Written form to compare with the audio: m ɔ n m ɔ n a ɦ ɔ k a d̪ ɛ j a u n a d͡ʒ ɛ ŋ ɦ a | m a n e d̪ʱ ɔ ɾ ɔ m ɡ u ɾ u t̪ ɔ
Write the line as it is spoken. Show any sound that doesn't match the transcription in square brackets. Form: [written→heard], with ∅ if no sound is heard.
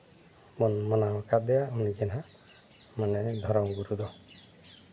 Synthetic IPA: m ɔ n m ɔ n a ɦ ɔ k a d̪ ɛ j a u n [a→i] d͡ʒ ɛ [ŋ→n] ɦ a | m a n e d̪ʱ ɔ ɾ ɔ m ɡ u ɾ u [t̪→d̪] ɔ